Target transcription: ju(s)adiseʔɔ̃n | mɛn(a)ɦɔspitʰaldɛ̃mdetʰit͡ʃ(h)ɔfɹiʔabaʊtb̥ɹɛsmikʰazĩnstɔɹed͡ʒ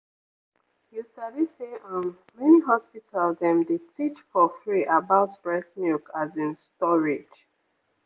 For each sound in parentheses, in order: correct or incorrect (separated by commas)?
correct, incorrect, incorrect